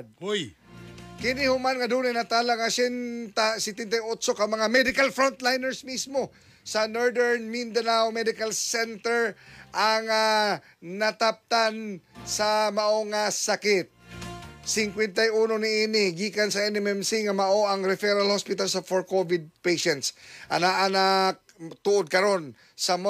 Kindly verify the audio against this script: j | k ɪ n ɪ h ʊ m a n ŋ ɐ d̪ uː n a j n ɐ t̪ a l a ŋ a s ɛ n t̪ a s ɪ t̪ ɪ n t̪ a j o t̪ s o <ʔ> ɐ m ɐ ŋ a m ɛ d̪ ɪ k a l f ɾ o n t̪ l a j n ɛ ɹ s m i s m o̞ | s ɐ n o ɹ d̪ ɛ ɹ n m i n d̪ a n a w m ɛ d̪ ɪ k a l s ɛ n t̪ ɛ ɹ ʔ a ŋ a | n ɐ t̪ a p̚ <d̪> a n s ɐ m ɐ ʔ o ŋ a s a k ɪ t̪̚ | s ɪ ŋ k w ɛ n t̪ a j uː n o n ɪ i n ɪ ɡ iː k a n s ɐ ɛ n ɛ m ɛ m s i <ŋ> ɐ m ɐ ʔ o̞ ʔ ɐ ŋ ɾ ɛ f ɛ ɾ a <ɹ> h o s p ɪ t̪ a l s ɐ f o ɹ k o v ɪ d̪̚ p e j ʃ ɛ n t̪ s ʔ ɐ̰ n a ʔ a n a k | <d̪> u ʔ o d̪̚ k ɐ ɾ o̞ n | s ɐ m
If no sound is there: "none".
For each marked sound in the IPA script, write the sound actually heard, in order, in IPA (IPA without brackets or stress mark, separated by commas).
k, t̪, ŋ, l, t̪